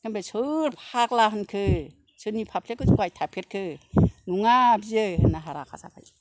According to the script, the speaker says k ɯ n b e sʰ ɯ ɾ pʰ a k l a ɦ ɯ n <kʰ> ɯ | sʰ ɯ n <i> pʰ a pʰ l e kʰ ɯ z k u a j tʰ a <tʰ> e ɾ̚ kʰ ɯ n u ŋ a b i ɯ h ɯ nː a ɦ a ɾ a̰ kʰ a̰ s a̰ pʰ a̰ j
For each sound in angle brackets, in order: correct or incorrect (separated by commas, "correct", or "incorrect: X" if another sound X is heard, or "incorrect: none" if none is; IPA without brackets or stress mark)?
correct, correct, incorrect: pʰ